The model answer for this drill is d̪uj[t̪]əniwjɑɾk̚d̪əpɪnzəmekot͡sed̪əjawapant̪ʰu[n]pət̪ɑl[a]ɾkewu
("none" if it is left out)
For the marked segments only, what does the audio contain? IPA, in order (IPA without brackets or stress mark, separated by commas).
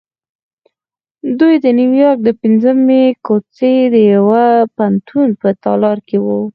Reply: d̪, n, ɑ